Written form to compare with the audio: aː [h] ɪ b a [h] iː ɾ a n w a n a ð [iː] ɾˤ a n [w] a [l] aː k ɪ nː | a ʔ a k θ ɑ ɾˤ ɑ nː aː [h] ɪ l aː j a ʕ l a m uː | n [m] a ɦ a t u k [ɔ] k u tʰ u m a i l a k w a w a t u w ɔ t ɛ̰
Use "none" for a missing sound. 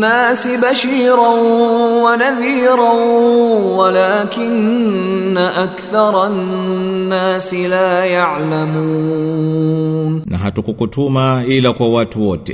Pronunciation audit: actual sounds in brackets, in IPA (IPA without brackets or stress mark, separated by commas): s, ʃ, iː, w, l, s, n, u